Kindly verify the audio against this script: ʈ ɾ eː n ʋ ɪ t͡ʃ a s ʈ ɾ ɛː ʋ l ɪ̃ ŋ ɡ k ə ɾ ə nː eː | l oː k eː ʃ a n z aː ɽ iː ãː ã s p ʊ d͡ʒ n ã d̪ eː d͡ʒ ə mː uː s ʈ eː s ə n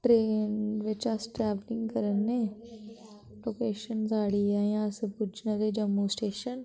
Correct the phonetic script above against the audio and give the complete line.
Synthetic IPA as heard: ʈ ɾ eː n ʋ ɪ t͡ʃ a s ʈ ɾ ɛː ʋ l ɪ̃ ŋ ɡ k ə ɾ ə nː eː | l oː k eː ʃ ə n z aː ɽ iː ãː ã s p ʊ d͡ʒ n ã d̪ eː d͡ʒ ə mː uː s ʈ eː ʃ ə n